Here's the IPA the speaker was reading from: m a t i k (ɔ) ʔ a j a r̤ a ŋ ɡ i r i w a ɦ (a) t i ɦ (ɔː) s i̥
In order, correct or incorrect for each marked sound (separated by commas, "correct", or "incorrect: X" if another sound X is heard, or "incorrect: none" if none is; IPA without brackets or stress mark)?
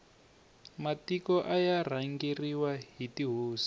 correct, incorrect: i, incorrect: uː